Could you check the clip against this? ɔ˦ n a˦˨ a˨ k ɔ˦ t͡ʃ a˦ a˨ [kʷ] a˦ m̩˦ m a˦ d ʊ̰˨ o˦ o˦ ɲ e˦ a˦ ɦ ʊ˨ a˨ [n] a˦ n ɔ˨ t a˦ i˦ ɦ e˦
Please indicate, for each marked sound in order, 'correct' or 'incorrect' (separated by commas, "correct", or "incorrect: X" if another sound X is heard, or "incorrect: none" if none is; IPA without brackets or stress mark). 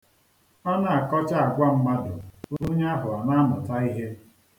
incorrect: ɡʷ, correct